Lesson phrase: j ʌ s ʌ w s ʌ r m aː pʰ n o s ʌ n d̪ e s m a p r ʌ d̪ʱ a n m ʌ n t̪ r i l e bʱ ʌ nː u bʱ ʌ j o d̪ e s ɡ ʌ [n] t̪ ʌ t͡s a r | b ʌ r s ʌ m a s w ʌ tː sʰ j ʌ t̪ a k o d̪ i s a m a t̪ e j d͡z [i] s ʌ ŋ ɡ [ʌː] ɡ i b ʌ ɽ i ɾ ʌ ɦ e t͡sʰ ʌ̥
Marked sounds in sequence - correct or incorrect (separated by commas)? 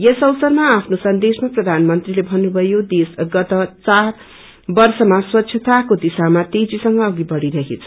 incorrect, correct, correct